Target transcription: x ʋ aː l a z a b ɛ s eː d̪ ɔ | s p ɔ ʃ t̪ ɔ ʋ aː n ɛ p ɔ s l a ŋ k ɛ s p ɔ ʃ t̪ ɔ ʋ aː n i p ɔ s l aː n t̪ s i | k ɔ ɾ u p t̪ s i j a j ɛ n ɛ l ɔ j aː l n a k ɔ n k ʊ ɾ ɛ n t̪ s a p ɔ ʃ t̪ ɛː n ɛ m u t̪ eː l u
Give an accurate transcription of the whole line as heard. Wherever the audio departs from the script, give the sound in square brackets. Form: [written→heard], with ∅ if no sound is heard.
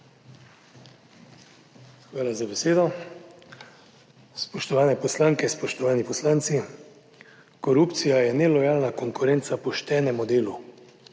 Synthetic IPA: x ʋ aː l a z a b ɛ s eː d̪ ɔ | s p ɔ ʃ t̪ ɔ ʋ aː n ɛ p ɔ s l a ŋ k ɛ s p ɔ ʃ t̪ ɔ ʋ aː n i p ɔ s l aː n t̪ s i | k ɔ ɾ u p t̪ s i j a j ɛ n ɛ l ɔ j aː l n a k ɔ [n→ŋ] k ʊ ɾ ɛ n t̪ s a p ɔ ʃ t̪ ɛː n ɛ m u [t̪→d̪] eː l u